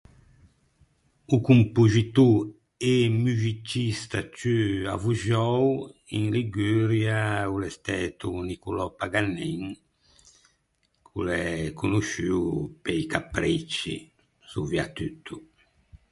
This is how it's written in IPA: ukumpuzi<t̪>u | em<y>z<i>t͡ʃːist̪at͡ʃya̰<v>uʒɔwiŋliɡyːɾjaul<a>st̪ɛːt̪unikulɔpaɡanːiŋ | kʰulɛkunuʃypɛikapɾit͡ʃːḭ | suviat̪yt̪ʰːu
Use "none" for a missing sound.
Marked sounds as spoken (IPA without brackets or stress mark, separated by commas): t̪, y, i, v, ɛ